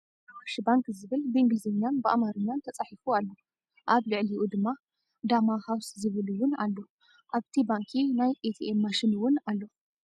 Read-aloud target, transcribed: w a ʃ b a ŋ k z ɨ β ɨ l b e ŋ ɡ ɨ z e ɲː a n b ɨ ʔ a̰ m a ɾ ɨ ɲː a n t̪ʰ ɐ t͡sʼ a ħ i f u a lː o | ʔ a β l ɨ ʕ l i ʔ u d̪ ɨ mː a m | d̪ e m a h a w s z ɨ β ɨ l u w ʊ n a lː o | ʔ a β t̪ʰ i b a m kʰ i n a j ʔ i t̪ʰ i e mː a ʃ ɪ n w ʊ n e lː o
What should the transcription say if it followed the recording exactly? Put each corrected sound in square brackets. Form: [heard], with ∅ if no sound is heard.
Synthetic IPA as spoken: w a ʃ b a ŋ k z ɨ β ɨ l b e ŋ ɡ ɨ z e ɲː a n b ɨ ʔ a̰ m a ɾ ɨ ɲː a n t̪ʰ ɐ t͡sʼ a ħ i f u a lː o | ʔ a β l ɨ ʕ l i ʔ u d̪ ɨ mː a [∅] | d̪ [a] m a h a w s z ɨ β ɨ l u w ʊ n a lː o | ʔ a β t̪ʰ i b a [ŋ] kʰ i n a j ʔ [e] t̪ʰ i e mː a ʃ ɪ n w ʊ n [a] lː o